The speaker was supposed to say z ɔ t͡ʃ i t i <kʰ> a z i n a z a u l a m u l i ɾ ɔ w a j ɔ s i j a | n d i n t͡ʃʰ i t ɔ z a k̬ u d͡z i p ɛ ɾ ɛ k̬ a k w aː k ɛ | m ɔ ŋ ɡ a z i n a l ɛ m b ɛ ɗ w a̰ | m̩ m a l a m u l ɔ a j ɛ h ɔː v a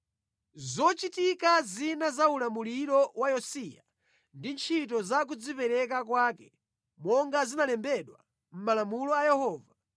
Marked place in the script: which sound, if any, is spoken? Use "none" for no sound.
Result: k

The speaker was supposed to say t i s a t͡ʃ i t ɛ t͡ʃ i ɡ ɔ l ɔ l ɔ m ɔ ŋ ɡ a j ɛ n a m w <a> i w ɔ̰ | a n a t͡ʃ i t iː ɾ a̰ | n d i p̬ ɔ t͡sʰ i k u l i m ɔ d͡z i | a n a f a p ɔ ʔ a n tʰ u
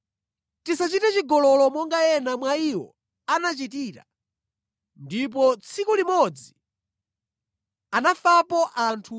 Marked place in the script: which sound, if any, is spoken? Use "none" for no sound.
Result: a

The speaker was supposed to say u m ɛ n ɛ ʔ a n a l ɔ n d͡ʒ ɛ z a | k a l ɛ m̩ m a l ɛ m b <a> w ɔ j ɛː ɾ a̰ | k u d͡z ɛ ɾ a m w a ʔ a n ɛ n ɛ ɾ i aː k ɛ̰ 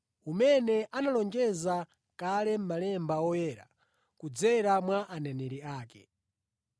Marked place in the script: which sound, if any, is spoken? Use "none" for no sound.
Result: a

